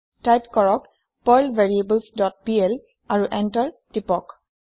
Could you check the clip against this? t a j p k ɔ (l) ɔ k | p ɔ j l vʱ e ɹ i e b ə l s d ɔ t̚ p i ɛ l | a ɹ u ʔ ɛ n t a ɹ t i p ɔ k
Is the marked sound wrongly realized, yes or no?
yes